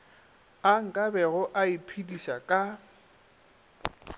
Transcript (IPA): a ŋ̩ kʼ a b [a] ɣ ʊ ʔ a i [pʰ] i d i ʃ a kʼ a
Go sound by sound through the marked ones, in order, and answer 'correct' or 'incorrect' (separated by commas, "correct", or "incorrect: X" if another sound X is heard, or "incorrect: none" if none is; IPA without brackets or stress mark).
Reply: incorrect: ɛ, correct